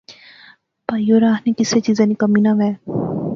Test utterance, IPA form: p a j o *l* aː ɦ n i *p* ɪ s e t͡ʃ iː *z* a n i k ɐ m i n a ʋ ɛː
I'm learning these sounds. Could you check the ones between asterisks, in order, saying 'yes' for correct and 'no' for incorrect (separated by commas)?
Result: no, no, yes